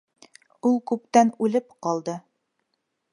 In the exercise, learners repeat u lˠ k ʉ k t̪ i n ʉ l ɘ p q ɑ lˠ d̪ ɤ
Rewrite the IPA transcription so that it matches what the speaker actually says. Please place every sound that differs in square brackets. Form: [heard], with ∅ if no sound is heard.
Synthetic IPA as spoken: u lˠ k ʉ [p] t̪ [æ] n ʉ l ɘ p q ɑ lˠ d̪ ɤ

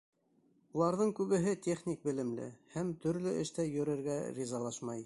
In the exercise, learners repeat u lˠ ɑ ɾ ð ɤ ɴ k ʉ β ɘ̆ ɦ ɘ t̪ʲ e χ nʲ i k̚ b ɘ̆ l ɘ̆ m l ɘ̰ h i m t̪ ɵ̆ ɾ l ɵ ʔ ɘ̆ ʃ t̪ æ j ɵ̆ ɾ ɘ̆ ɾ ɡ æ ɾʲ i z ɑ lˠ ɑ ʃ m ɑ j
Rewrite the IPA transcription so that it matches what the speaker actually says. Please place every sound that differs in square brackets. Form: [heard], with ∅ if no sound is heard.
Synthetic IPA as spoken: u lˠ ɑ ɾ ð ɤ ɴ k ʉ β ɘ̆ ɦ ɘ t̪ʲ e χ nʲ i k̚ b ɘ̆ l ɘ̆ m l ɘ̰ h [æ] m t̪ ɵ̆ ɾ l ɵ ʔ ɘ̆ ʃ t̪ æ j ɵ̆ ɾ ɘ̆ ɾ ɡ æ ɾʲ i z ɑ lˠ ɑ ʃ m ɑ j

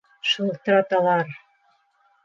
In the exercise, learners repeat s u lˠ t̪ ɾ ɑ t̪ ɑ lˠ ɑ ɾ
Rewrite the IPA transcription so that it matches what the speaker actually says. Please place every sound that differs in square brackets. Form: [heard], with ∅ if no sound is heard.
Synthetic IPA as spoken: [ʃ] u lˠ t̪ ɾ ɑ t̪ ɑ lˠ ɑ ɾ

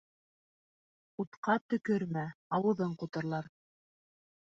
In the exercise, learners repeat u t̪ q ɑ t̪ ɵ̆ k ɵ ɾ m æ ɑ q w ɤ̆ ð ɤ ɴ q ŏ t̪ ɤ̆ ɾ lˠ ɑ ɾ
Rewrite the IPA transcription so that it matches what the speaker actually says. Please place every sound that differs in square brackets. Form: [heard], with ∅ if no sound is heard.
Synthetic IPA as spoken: u t̪ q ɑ t̪ ɵ̆ k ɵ ɾ m æ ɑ [∅] w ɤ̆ ð ɤ ɴ q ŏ t̪ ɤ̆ ɾ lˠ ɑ ɾ

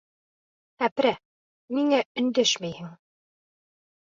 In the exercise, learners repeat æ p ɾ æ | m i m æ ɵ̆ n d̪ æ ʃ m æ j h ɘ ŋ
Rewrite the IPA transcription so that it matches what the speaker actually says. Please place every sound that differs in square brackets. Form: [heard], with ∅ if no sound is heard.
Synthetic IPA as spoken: æ p ɾ æ | m i [ŋ] æ ɵ̆ n d̪ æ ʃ m æ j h ɘ ŋ

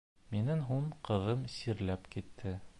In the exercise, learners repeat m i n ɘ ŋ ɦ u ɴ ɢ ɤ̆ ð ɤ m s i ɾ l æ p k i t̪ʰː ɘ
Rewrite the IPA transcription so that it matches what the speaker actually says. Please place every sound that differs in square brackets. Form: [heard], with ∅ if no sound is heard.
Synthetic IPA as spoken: m i n ɘ ŋ ɦ u ɴ [q] ɤ̆ ð ɤ m s i ɾ l æ p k i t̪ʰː ɘ

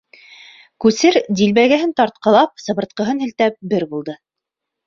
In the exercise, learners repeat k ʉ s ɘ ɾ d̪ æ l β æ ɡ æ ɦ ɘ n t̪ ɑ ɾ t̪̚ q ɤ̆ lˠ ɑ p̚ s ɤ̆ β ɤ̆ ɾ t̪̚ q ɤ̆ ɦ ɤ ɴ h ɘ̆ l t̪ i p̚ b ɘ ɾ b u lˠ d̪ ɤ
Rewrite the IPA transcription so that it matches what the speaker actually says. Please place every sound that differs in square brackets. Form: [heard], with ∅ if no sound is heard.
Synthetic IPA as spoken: k ʉ s ɘ ɾ d̪ [i] l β æ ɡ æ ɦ ɘ n t̪ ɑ ɾ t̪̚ q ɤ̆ lˠ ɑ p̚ s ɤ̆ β ɤ̆ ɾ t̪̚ q ɤ̆ ɦ ɤ [n] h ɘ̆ l t̪ [æ] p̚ b ɘ ɾ b u lˠ d̪ ɤ

